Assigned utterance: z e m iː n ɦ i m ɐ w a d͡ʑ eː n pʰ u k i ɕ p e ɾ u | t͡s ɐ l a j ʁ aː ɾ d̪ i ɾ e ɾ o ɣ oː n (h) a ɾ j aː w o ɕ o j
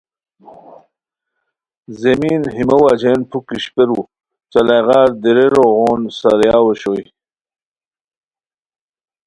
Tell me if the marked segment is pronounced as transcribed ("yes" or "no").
no